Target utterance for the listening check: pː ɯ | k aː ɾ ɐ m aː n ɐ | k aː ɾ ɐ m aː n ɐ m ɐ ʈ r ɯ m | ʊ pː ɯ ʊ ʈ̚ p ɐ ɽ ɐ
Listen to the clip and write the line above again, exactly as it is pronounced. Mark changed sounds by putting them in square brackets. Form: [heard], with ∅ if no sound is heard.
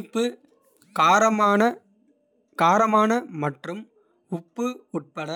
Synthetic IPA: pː ɯ | k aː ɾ ɐ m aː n ɐ | k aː ɾ ɐ m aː n ɐ m ɐ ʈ r ɯ m | ʊ pː ɯ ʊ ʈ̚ p ɐ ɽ ɐ